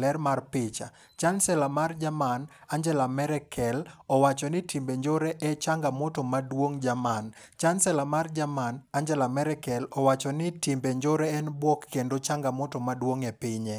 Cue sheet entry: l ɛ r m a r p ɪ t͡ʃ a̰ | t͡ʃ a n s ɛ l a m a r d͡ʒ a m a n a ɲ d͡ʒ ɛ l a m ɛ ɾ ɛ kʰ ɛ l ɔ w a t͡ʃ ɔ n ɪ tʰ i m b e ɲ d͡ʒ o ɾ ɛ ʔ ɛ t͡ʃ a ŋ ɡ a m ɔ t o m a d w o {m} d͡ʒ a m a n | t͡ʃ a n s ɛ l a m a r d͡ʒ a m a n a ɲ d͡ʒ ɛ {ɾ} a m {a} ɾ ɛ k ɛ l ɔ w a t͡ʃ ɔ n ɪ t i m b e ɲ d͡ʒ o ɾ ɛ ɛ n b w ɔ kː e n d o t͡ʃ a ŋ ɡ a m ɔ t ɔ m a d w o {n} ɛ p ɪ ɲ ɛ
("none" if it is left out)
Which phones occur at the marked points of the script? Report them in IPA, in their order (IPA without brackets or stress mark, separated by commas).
ŋ, l, ɛ, ŋ